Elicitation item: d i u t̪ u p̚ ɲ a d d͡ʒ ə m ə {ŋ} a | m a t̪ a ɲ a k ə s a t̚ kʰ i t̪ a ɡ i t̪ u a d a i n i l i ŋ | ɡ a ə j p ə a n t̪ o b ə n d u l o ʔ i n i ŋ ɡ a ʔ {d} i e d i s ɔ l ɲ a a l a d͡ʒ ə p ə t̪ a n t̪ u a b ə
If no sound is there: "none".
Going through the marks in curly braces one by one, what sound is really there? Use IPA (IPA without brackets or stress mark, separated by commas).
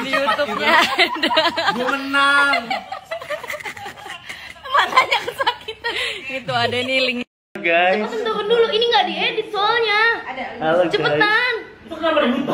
n, d